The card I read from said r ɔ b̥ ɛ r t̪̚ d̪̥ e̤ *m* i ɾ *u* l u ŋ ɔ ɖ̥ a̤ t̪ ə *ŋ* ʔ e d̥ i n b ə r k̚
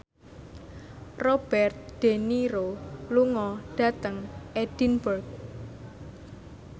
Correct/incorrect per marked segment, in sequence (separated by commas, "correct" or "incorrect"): incorrect, incorrect, correct